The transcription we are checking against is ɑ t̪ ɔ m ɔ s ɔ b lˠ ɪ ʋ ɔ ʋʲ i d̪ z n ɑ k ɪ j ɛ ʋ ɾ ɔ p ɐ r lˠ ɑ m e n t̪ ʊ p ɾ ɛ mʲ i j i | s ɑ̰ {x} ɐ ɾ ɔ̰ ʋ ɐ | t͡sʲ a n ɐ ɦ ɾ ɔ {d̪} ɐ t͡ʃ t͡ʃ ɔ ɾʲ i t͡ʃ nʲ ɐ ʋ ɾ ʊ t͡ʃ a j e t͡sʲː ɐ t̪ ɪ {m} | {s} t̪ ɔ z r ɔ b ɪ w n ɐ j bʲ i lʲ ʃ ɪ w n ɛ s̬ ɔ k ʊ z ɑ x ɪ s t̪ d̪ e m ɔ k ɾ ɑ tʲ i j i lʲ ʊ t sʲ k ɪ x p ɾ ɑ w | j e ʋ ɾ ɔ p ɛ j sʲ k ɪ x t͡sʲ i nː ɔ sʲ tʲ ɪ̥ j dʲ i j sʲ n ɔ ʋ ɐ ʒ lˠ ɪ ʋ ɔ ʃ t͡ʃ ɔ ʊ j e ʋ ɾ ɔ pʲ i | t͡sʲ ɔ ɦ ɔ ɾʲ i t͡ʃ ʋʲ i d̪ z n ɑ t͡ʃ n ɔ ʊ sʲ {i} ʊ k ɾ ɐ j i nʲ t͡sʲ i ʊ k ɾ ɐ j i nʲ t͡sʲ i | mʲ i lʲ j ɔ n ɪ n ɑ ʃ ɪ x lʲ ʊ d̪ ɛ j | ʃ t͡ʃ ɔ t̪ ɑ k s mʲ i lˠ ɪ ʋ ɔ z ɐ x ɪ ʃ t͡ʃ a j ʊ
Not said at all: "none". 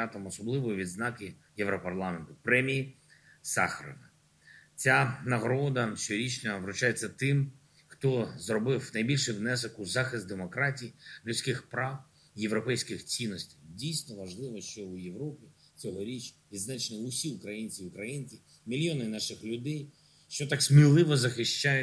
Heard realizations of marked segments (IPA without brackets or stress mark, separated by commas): x, d̪, m, x, i